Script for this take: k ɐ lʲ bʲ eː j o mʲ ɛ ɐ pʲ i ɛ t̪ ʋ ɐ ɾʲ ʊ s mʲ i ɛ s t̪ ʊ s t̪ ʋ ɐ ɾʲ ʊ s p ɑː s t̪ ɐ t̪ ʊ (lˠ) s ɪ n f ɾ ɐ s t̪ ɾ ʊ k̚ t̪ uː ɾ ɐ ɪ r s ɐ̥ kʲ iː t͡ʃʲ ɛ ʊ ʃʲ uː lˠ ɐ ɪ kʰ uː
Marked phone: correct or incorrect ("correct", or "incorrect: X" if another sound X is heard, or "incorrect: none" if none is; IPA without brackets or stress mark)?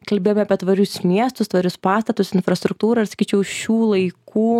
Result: incorrect: none